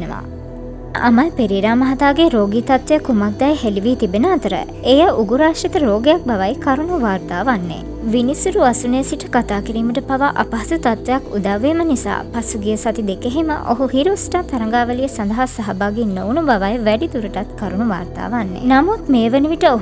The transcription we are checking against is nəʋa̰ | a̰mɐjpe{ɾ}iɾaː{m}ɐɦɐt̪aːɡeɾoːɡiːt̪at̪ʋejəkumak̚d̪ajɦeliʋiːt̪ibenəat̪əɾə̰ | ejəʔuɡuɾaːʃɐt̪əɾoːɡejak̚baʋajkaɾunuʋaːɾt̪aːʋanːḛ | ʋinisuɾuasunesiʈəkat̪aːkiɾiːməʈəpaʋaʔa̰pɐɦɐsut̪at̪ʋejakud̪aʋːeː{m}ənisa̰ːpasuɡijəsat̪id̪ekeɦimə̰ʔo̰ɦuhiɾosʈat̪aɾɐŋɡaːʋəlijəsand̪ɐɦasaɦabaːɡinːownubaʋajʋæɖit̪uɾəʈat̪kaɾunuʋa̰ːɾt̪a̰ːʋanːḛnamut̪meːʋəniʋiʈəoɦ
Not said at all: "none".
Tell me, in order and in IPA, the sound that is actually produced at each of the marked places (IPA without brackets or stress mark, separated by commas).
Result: ɾ, m, m